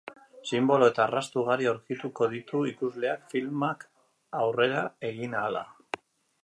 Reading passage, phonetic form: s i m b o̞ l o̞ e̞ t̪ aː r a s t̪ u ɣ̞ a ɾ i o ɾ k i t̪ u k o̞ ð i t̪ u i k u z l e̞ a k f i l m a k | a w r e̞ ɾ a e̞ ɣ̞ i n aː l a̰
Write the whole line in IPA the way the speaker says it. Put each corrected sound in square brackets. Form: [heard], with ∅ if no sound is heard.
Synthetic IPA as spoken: s i m b o̞ l o̞ e̞ t̪ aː r a s t̪ u ɣ̞ a ɾ i o ɾ k i t̪ u k o̞ ð i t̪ u i k u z l e̞ a k f i l m a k | a w r e̞ ɾ a e̞ ɣ̞ i n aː l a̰